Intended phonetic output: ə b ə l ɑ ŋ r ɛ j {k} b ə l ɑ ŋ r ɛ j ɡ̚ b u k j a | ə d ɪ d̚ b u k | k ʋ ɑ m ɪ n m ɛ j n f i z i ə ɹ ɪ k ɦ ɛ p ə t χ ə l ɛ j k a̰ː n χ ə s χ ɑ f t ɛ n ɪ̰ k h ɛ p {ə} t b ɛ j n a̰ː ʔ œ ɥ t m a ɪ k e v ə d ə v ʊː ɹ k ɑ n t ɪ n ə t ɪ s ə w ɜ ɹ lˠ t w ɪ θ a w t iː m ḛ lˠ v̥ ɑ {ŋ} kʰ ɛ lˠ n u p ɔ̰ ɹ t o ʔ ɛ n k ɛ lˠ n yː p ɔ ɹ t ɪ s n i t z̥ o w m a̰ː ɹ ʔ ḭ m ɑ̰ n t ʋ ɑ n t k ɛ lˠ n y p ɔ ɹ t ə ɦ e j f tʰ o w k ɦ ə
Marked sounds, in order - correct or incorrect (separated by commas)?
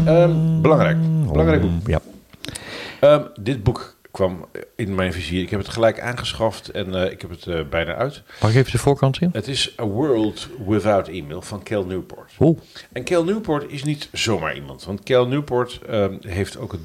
correct, correct, incorrect